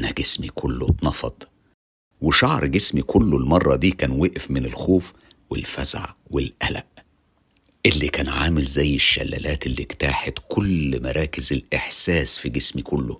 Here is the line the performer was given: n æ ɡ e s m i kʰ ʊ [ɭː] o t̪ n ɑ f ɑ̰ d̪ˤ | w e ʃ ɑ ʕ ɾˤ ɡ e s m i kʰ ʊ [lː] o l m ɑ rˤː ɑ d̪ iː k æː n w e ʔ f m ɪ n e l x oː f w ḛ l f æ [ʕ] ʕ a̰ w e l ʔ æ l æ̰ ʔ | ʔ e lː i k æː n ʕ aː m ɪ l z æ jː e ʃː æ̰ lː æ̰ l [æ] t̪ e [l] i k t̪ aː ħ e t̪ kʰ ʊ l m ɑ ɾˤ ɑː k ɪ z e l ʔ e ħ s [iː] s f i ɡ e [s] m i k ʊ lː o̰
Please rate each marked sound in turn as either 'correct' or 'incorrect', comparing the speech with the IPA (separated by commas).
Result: incorrect, correct, incorrect, incorrect, incorrect, incorrect, correct